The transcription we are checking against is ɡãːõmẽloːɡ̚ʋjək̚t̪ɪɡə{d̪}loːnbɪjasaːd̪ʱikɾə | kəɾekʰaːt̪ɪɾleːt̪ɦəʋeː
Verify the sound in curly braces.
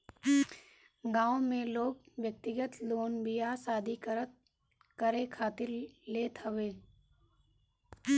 incorrect: t̪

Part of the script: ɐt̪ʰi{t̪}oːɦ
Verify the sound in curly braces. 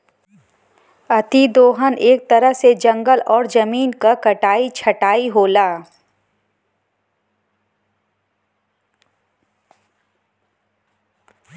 incorrect: d̪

